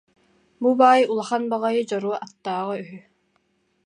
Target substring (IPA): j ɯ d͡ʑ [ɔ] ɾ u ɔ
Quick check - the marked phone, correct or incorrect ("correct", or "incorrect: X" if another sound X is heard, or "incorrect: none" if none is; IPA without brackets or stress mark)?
correct